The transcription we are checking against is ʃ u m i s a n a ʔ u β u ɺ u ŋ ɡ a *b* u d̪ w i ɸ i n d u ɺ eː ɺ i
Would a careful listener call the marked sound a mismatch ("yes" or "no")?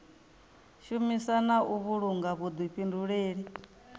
yes